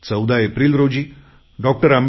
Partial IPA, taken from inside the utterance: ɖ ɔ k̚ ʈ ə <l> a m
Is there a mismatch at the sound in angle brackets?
yes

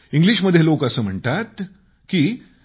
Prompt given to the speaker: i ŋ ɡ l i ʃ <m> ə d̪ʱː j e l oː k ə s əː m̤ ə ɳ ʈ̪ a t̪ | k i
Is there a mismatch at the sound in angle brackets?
no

